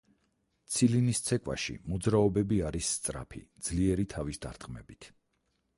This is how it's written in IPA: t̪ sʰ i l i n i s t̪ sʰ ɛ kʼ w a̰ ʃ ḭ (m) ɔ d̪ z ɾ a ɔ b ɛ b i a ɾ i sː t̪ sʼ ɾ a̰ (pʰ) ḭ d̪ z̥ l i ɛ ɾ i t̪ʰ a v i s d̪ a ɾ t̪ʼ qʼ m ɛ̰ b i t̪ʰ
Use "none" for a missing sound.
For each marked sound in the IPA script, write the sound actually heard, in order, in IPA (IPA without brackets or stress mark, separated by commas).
m, pʰ